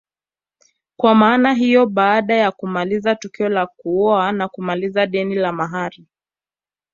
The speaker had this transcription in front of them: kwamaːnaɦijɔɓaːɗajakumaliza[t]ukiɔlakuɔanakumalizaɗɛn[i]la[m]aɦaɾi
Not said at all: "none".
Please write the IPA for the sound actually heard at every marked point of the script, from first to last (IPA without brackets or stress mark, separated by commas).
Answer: t, i, m